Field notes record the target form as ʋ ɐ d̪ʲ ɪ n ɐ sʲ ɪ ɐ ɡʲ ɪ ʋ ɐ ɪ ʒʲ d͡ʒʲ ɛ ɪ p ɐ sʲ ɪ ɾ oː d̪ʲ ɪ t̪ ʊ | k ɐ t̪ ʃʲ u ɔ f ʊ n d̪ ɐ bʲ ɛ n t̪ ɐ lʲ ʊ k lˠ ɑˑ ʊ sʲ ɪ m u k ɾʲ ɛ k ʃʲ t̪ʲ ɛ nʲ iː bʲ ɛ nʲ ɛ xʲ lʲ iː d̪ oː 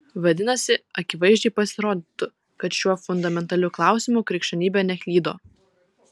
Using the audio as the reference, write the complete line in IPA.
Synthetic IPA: ʋ ɐ d̪ʲ ɪ n ɐ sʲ ɪ ɐ kʲ ɪ ʋ ɐ ɪ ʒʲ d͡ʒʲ ɛ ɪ p ɐ sʲ ɪ ɾ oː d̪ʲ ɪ t̪ ʊ | k ɐ t̪ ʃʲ u ɔ f ʊ n d̪ ɐ mʲ ɛ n t̪ ɐ lʲ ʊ k lˠ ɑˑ ʊ sʲ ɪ m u k ɾʲ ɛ k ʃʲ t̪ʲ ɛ nʲ iː bʲ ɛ nʲ ɛ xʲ lʲ iː d̪ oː